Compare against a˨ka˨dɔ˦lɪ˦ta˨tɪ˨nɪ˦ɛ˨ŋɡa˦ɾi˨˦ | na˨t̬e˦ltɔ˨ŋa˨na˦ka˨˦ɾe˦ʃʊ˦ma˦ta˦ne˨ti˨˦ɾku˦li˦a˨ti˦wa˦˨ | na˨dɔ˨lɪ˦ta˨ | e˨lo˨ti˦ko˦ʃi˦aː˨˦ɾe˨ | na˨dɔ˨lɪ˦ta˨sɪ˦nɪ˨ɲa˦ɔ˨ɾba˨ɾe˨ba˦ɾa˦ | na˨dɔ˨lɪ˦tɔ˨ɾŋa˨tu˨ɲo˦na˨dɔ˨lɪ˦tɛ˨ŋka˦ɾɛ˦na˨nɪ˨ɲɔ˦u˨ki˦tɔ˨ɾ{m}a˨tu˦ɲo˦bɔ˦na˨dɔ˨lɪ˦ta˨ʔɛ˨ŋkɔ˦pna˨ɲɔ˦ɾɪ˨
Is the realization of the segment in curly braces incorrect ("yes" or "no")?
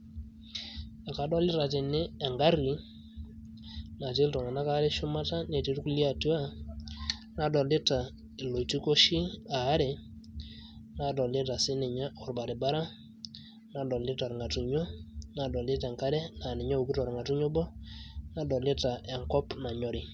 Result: yes